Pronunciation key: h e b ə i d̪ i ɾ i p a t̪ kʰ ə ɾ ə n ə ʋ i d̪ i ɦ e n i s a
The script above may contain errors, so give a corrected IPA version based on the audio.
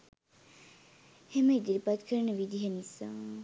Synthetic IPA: h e m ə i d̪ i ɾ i p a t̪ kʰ ə ɾ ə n ə ʋ i d̪ i ɦ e n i s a